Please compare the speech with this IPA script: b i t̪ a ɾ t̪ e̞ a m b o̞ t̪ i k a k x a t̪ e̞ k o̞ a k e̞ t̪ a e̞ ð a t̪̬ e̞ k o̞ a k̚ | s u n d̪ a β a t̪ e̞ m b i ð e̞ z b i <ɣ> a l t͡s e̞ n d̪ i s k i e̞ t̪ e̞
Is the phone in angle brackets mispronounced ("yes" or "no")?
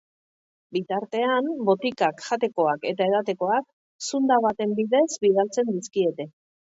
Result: yes